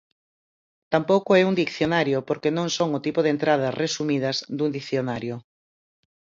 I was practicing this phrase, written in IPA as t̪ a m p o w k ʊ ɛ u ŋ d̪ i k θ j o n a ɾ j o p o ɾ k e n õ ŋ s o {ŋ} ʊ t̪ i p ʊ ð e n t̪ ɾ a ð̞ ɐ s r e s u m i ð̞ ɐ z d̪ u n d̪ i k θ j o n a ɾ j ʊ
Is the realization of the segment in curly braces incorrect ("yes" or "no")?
no